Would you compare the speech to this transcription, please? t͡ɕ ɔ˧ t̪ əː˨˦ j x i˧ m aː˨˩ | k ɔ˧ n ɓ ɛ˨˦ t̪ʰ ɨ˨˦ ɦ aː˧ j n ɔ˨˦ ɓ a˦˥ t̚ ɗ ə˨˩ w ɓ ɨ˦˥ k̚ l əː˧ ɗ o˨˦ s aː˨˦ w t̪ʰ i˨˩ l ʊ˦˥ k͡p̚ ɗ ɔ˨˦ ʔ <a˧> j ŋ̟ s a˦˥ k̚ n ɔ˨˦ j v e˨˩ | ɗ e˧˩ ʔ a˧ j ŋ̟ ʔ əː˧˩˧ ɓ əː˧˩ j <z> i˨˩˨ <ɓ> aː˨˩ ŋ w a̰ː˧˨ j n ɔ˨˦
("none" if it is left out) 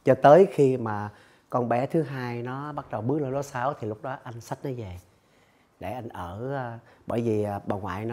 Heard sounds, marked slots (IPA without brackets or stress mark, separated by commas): a˧, v, ɓ